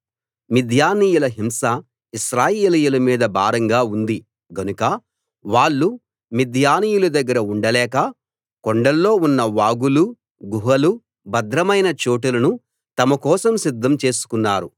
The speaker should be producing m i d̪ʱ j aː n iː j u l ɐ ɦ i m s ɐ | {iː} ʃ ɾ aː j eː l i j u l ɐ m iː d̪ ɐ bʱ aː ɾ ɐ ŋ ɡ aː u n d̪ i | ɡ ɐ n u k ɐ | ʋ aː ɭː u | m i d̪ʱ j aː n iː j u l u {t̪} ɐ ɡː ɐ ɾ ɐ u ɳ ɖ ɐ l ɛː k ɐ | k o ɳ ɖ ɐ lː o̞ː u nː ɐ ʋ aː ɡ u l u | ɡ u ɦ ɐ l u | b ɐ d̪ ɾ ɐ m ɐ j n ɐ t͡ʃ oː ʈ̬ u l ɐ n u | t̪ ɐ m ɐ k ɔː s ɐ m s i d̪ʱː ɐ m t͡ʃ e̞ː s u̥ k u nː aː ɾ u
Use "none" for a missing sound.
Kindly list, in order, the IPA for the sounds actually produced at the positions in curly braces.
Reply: i, d̪

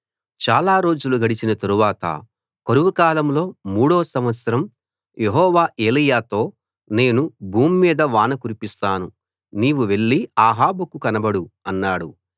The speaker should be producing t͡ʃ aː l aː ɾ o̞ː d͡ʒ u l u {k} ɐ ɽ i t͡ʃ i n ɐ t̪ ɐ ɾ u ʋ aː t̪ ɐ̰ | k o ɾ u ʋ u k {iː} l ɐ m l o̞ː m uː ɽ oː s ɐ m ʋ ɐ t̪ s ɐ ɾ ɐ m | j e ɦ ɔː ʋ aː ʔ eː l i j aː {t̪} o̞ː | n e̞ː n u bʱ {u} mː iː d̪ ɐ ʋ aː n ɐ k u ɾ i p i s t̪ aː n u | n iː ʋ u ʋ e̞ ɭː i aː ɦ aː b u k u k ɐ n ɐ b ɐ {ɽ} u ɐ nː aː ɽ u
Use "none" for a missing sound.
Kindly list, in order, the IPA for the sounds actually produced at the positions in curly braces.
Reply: ɡ, aː, t̪, uː, ɽ

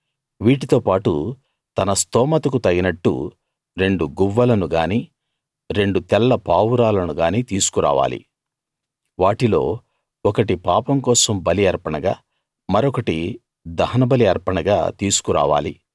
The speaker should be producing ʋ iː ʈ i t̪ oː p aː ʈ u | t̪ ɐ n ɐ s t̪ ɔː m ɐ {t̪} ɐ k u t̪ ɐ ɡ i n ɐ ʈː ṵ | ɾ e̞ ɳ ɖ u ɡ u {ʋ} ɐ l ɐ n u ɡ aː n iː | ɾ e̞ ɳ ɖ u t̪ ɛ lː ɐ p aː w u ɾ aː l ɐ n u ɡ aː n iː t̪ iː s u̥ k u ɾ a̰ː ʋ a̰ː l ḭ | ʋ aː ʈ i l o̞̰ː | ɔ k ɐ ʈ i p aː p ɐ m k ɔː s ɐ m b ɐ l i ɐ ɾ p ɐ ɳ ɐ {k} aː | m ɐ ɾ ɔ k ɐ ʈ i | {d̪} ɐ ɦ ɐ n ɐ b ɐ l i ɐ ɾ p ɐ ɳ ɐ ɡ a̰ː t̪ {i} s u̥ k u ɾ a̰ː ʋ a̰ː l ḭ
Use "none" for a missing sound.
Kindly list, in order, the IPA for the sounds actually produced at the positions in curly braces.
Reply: t̪, ʋː, ɡ, d̪, iː

